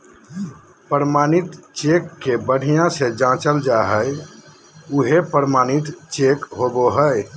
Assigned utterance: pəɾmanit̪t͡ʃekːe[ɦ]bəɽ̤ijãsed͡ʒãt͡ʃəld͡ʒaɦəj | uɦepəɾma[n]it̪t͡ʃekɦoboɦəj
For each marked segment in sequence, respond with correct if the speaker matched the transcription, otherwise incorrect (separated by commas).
incorrect, correct